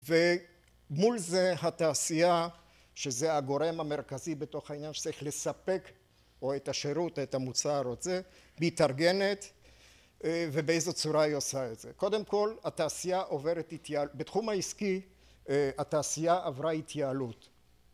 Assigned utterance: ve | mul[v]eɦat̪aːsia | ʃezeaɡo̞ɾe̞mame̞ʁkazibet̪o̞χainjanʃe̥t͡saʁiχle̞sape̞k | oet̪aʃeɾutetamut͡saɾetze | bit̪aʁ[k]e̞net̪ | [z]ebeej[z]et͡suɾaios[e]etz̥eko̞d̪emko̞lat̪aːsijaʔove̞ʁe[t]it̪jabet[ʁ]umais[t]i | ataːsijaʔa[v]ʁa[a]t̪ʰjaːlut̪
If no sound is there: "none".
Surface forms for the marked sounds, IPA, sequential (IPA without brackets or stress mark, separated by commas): z, ɡ, v, z, a, t, χ, k, v, i